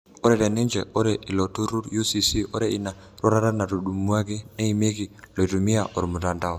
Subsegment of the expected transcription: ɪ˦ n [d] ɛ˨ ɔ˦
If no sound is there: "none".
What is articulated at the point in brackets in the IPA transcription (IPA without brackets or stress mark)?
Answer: d͡ʒ